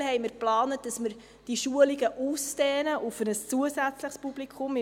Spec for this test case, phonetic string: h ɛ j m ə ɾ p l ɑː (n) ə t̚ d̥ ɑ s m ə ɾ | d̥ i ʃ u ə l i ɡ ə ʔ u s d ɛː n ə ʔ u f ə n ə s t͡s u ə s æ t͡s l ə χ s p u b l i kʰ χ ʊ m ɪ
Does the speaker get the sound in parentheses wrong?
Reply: no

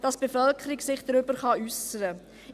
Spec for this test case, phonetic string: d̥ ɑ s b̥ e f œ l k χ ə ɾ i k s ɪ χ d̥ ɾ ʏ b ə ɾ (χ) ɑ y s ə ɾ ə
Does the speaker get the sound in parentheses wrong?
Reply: no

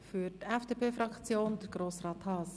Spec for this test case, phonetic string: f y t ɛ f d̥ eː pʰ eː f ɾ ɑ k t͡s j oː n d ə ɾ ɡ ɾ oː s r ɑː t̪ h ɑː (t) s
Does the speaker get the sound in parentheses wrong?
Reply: yes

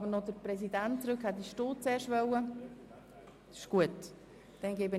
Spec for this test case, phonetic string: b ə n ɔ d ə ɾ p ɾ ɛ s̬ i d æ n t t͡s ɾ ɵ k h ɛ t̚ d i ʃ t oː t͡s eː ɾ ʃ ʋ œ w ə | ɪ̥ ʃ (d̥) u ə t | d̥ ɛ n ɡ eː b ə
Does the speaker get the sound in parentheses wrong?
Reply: yes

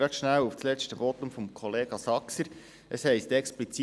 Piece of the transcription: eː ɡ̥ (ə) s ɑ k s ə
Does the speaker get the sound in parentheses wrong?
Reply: yes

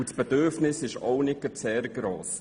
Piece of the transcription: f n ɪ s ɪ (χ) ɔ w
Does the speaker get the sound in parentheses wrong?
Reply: yes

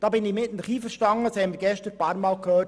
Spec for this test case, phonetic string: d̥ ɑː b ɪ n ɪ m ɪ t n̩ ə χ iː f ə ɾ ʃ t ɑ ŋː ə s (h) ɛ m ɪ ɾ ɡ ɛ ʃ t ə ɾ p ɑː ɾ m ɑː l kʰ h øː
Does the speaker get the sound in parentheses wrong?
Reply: no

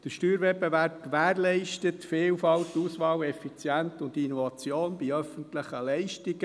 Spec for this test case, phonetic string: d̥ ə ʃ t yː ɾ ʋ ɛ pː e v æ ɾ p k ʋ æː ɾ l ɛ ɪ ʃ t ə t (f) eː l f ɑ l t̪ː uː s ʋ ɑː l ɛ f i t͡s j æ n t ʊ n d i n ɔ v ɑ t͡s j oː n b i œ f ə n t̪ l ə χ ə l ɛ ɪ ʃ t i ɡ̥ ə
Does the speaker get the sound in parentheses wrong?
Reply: no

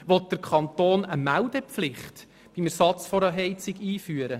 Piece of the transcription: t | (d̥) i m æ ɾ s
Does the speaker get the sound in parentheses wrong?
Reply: yes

